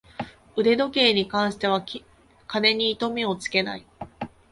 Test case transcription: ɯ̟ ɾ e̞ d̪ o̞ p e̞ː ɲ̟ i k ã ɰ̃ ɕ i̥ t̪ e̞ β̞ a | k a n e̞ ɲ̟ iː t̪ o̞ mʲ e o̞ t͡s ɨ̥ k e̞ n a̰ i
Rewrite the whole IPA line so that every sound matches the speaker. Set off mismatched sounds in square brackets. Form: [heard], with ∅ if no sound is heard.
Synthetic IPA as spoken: ɯ̟ ɾ e̞ d̪ o̞ [k] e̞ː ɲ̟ i k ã ɰ̃ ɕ i̥ t̪ e̞ β̞ a | k a n e̞ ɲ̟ iː t̪ o̞ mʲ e o̞ t͡s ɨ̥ k e̞ n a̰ i